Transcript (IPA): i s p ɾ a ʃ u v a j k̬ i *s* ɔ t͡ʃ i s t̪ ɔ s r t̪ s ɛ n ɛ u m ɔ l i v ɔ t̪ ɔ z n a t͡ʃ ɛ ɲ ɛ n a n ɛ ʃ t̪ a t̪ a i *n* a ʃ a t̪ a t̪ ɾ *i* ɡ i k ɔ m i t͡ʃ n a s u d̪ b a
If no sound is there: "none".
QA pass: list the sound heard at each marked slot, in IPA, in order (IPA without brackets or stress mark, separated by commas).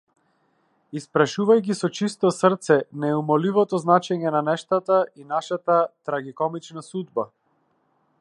s, n, a